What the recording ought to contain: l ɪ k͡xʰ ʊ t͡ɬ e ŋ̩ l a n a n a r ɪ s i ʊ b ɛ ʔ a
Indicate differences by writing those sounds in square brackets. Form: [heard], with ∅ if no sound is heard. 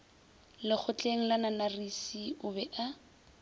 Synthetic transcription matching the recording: l ɪ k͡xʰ ʊ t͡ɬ e ŋ̩ l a n a n a r [i] s i ʊ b ɛ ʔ a